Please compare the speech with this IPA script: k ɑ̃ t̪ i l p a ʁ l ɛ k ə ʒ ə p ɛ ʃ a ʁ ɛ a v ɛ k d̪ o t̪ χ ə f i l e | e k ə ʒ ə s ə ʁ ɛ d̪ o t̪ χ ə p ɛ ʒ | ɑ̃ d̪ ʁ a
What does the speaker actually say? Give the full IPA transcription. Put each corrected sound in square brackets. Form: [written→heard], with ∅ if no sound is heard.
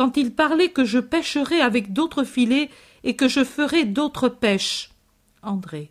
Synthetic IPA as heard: k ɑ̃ t̪ i l p a ʁ l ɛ k ə ʒ ə p ɛ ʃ [a→ə] ʁ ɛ a v ɛ k d̪ o t̪ χ ə f i l e | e k ə ʒ ə [s→f] ə ʁ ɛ d̪ o t̪ χ ə p ɛ [ʒ→ʃ] | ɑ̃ d̪ ʁ [a→e]